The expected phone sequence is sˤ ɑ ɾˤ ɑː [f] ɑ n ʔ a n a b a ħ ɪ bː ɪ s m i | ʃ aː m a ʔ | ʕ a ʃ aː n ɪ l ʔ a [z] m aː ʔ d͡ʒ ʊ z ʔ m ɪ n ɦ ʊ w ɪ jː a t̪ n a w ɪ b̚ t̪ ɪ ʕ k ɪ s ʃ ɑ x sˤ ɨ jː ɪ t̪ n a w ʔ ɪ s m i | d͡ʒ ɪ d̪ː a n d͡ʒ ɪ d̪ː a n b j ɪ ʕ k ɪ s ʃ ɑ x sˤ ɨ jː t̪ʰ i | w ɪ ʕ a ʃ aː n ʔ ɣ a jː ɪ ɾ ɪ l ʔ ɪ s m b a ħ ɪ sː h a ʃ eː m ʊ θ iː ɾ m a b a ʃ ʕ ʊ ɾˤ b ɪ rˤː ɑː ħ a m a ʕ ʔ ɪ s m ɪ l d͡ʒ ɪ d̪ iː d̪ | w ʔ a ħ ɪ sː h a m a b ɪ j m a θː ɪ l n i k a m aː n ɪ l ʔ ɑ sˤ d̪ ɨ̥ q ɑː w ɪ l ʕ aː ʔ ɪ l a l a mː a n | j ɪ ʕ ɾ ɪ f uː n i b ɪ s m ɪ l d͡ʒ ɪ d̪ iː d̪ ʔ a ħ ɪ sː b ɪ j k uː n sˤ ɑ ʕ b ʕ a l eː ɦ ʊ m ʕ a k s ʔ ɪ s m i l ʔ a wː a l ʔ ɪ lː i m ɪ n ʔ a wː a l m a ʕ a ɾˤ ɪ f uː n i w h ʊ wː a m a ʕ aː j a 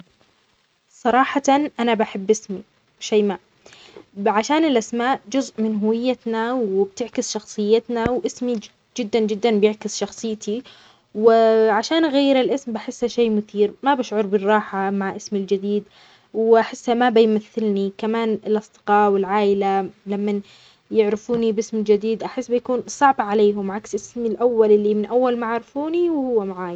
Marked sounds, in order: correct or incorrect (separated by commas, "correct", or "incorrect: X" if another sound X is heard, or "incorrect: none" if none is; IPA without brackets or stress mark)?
incorrect: ħ, incorrect: s